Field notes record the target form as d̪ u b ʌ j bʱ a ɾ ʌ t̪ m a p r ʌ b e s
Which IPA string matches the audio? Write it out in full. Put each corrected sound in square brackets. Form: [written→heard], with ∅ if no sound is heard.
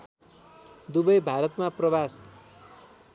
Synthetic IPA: d̪ u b ʌ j bʱ a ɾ ʌ t̪ m a p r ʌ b [e→a] s